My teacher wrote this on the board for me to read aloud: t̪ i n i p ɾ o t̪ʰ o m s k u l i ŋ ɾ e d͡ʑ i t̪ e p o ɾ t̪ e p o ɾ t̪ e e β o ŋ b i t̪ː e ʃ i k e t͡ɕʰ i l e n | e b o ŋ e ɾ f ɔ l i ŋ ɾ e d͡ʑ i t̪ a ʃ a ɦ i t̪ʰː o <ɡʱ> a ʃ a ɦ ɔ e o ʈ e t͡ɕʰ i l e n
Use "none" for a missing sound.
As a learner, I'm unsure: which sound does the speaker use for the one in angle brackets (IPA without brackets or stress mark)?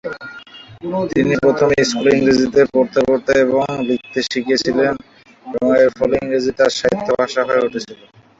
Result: bʱ